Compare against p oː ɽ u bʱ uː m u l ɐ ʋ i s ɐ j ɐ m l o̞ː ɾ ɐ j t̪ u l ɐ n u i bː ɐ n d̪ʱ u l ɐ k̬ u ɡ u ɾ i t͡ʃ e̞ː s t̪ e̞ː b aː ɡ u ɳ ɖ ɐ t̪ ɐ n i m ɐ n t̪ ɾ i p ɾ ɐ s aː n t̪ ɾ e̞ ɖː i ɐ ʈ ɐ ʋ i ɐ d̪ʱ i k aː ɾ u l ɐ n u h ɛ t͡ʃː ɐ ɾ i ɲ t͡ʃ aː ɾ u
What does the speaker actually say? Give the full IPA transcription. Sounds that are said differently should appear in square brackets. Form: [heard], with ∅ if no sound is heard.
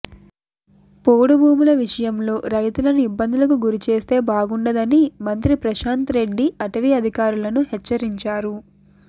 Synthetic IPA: p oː ɽ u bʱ uː m u l ɐ ʋ i [ʂ] ɐ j ɐ m l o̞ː ɾ ɐ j t̪ u l ɐ n u i bː ɐ n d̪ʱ u l ɐ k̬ u ɡ u ɾ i t͡ʃ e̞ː s t̪ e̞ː b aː ɡ u ɳ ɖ ɐ [d̪] ɐ n i m ɐ n t̪ ɾ i p ɾ ɐ [ʃ] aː n t̪ ɾ e̞ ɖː i ɐ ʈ ɐ ʋ i ɐ d̪ʱ i k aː ɾ u l ɐ n u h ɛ t͡ʃː ɐ ɾ i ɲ t͡ʃ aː ɾ u